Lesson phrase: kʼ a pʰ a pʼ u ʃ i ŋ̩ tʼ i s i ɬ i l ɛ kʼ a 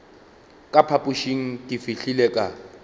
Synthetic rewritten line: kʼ a pʰ a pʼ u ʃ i ŋ̩ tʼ i f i ɬ i l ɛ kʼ a